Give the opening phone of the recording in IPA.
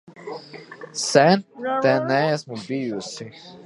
s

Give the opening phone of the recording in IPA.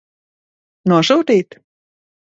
n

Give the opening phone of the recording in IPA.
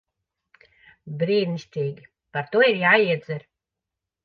b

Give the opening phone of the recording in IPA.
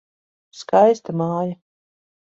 s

